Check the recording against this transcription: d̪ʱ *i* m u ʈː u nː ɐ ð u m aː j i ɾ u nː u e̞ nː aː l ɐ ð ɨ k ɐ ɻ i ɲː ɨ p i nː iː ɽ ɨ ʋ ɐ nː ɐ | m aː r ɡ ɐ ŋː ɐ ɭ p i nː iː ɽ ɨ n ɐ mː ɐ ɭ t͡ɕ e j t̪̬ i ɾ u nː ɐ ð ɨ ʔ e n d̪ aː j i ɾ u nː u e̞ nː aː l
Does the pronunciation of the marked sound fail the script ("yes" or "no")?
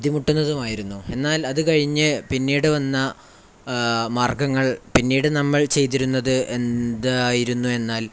no